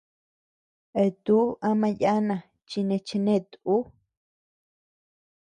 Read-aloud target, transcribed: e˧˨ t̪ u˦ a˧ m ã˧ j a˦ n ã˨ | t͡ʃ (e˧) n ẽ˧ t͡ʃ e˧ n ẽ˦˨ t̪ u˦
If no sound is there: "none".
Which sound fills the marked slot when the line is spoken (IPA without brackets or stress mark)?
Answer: i˧